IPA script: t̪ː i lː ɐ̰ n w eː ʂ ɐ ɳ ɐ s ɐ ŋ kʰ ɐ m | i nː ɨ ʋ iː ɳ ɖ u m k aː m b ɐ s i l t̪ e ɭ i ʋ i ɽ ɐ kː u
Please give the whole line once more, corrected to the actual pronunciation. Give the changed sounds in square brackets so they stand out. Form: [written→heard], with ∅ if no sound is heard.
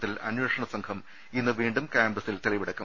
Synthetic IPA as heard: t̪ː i [lː→l] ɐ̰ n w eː ʂ ɐ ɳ ɐ s ɐ ŋ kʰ ɐ m | i nː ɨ ʋ iː ɳ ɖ u m k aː m b ɐ s i l t̪ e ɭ i ʋ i ɽ ɐ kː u